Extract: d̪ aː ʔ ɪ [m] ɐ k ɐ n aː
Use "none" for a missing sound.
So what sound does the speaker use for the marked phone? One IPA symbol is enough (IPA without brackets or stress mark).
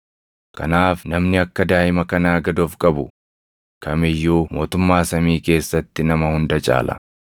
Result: m